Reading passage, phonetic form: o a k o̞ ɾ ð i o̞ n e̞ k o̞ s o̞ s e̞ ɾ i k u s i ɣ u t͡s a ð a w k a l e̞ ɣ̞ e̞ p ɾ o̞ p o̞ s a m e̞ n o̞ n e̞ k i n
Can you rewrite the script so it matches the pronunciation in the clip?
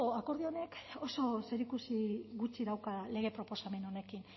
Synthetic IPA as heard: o a k o̞ ɾ ð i o̞ n e̞ k o̞ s o̞ s e̞ ɾ i k u s i ɣ u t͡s i ð a w k a l e̞ ɣ̞ e̞ p ɾ o̞ p o̞ s a m e̞ n o̞ n e̞ k i n